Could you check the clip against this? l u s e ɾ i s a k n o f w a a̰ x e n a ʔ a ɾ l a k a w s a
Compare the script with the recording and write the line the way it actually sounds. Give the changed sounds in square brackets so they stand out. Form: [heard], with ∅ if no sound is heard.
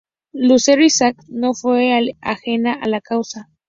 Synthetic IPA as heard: l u s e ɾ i s a k n o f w [e] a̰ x e n a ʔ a [∅] l a k a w s a

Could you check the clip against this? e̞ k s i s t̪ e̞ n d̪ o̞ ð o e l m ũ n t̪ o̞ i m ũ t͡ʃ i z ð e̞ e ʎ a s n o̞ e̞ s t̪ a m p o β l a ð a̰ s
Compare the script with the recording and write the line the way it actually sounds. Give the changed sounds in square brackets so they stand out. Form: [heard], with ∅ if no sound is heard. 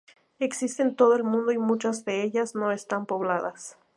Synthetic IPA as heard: e̞ k s i s t̪ e̞ n [t̪] o̞ ð o e l m ũ n [d̪] o̞ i m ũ t͡ʃ [a] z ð e̞ e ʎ a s n o̞ e̞ s t̪ a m p o β l a ð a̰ s

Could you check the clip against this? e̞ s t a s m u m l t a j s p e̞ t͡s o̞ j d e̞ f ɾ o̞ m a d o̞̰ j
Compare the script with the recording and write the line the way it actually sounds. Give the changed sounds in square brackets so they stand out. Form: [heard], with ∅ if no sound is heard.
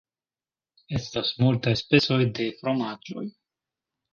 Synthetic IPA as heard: e̞ s t a s m u [∅] l t a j s p e̞ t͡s o̞ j d e̞ f ɾ o̞ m a [d͡ʒ] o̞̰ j

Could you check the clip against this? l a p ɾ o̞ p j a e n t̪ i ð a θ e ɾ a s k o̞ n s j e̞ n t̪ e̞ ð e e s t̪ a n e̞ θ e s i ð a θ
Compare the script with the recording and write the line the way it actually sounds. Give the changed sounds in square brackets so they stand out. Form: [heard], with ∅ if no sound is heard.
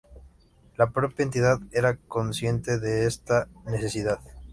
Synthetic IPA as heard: l a p ɾ o̞ p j a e n t̪ i ð a [ð] e ɾ a [∅] k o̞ n s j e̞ n t̪ e̞ ð e e s t̪ a n e̞ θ e s i ð a [ð]

